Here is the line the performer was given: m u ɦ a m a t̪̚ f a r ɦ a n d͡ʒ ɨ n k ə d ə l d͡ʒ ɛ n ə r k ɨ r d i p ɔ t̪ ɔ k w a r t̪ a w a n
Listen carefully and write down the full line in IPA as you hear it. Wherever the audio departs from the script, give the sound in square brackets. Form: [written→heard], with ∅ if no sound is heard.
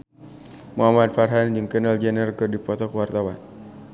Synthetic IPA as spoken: m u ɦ a m a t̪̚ f a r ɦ a n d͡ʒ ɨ [n→ŋ] k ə [d→n] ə l d͡ʒ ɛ n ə r k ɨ r d i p ɔ t̪ ɔ k w a r t̪ a w a n